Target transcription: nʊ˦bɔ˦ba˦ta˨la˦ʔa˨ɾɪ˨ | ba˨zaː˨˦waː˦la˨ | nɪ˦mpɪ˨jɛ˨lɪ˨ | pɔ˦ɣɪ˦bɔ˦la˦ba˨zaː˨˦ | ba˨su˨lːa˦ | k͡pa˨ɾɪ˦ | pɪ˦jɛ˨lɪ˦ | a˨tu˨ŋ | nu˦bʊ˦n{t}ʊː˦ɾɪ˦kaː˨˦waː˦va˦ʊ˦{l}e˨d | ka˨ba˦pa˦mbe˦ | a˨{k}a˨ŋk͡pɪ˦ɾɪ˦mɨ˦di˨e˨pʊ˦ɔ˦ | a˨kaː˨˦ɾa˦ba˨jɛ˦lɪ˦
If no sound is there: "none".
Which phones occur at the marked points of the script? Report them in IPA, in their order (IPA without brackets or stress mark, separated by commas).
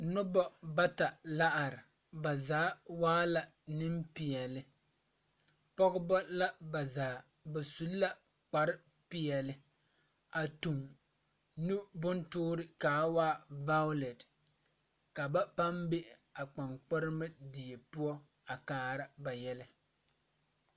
t, l, k͡p